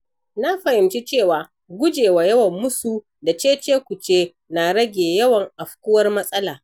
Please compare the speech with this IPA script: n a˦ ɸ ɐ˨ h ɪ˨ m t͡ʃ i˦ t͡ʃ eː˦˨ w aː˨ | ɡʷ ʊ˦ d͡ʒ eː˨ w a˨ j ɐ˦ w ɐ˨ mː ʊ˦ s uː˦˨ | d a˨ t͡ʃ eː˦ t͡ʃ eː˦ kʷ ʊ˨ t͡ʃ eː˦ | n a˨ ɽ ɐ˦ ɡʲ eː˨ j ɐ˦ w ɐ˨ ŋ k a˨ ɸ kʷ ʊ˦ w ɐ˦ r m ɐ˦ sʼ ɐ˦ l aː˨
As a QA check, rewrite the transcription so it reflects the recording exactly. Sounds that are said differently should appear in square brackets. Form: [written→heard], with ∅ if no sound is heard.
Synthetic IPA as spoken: n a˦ ɸ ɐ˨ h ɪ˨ m t͡ʃ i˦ t͡ʃ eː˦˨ w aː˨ | ɡʷ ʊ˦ d͡ʒ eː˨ w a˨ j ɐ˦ w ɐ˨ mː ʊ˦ s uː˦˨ | d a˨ t͡ʃ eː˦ t͡ʃ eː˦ kʷ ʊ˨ t͡ʃ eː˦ | n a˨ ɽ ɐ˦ ɡʲ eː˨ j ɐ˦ w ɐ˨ ŋ [k→ʔ] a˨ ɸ kʷ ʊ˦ w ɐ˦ r m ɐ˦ sʼ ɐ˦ l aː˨